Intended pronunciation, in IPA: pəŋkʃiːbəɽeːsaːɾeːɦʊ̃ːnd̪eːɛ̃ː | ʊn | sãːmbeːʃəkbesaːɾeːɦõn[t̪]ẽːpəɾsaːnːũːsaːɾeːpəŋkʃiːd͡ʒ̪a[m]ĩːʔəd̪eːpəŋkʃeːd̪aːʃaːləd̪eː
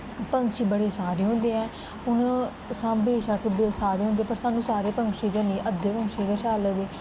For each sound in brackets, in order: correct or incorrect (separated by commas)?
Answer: incorrect, incorrect